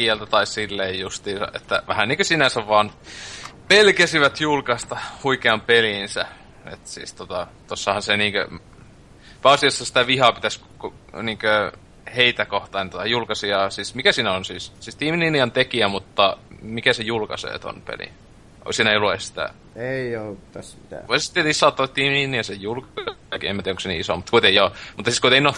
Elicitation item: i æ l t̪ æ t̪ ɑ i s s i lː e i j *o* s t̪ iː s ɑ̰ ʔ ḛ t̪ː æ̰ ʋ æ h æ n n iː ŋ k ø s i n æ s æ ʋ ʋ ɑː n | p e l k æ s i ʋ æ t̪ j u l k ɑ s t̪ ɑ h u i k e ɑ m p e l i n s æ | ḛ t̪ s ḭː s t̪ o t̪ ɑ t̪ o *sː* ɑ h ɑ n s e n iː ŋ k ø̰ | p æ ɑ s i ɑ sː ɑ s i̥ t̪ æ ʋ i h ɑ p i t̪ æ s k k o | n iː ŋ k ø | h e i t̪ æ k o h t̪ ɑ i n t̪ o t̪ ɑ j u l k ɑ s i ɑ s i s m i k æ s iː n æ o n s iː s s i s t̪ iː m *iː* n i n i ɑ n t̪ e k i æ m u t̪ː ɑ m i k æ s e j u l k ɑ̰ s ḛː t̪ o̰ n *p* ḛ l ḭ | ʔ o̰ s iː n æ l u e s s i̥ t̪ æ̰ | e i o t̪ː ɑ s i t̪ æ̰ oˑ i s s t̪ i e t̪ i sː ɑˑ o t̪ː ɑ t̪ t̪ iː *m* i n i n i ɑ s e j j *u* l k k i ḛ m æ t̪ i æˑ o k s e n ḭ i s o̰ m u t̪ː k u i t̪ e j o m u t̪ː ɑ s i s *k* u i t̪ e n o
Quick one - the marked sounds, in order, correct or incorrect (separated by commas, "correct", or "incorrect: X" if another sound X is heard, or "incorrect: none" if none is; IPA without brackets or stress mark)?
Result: incorrect: u, correct, incorrect: i, correct, correct, correct, correct